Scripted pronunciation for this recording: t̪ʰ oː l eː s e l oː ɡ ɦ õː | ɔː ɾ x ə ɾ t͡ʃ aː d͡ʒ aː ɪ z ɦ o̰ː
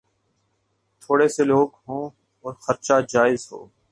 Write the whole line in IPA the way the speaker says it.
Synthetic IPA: t̪ʰ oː ɽ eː s e l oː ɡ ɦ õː | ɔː ɾ x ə ɾ t͡ʃ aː d͡ʒ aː ɪ z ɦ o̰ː